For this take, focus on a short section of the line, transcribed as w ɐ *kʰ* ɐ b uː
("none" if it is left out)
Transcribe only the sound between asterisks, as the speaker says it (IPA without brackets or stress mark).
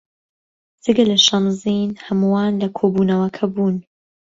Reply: kʰ